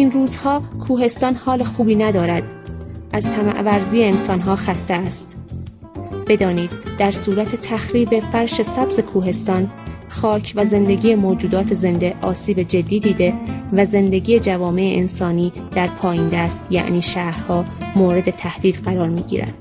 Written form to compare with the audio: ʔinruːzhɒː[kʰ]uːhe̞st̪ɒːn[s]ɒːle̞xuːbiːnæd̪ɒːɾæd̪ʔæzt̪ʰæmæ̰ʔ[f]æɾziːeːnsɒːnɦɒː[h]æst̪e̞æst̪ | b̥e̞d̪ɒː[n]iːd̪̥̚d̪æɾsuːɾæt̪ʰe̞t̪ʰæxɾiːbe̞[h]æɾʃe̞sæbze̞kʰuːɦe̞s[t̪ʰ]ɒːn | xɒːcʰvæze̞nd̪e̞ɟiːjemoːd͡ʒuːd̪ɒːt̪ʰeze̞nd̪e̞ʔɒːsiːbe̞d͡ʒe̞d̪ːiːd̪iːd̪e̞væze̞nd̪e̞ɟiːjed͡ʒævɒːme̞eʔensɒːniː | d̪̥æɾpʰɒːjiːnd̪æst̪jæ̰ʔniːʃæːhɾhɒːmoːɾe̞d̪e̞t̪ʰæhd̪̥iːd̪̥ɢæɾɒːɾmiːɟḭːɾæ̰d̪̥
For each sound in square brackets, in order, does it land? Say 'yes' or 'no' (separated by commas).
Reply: yes, no, no, no, yes, no, no